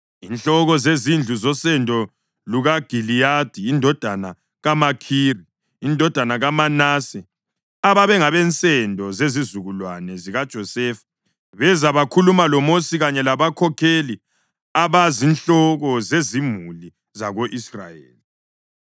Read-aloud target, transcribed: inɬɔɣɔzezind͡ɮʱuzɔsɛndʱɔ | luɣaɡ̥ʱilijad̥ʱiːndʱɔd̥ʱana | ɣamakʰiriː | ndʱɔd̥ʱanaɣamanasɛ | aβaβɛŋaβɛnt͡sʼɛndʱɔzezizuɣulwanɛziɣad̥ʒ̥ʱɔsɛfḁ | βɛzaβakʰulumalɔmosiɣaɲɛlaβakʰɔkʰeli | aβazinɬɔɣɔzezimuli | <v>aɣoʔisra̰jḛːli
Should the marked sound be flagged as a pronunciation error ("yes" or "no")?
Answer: yes